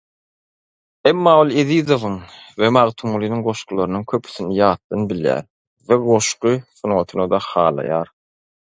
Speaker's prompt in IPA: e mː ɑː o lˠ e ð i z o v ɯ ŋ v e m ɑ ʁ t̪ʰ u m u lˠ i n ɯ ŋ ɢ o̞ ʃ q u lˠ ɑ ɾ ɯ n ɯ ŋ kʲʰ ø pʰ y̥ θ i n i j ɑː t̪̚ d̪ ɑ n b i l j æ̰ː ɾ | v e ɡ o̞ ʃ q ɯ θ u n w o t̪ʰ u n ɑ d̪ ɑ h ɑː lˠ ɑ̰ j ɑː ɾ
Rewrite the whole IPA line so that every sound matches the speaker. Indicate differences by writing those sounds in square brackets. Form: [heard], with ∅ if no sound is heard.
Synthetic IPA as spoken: e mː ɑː o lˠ e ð i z o v ɯ ŋ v e m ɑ ʁ t̪ʰ u m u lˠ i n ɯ ŋ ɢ o̞ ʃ q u lˠ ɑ ɾ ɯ n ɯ ŋ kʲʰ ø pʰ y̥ θ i n i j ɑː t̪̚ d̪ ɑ n b i l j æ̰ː ɾ | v e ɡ o̞ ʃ q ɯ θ u n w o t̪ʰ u n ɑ d̪ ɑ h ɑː lˠ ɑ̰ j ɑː ɾ